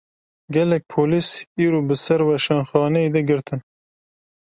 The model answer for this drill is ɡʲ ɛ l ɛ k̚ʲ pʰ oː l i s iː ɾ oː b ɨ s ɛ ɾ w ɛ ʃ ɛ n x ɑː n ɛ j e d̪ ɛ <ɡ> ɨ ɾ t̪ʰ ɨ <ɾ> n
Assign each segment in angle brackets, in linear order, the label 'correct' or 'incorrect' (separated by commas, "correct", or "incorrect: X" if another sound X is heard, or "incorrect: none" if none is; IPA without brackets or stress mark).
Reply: correct, incorrect: none